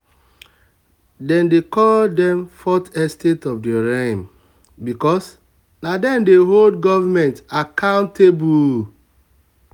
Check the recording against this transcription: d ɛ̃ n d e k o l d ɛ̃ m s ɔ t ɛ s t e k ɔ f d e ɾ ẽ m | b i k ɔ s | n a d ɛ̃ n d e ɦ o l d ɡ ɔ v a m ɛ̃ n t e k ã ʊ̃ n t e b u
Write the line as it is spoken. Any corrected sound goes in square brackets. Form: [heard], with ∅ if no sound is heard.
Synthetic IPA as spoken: d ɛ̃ n d e k [ɔ] l d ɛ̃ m [f] ɔ t ɛ s t e [t] ɔ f d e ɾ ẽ m | b i k ɔ s | n a d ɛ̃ n d e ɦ o l d ɡ ɔ v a m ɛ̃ n t [a] k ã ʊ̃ n t e b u